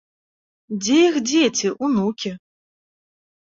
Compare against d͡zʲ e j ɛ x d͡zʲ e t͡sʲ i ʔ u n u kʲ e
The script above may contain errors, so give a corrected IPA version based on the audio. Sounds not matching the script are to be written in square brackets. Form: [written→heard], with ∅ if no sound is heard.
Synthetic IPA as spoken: d͡zʲ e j [ɛ→i] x d͡zʲ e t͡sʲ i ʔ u n u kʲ [e→i]